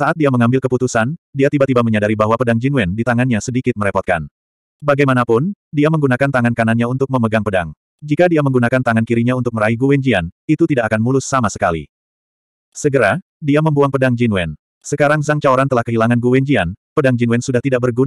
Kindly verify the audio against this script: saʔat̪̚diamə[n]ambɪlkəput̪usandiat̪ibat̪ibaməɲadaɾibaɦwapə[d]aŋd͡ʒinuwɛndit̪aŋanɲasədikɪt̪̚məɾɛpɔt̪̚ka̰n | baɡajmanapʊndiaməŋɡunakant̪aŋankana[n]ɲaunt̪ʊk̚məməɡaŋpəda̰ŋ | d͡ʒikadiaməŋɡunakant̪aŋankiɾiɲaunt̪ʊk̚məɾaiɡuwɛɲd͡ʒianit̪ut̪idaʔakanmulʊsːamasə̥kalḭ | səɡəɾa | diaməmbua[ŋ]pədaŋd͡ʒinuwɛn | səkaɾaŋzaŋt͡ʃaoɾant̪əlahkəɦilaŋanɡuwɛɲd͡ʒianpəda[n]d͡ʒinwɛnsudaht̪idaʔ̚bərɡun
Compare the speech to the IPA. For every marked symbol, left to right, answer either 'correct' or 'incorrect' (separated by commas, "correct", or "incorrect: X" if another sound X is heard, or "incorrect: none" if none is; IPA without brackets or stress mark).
incorrect: ŋ, correct, correct, correct, incorrect: ŋ